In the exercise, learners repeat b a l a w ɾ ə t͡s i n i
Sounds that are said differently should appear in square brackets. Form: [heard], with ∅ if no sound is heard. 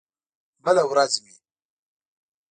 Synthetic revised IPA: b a l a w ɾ [a] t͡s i [m] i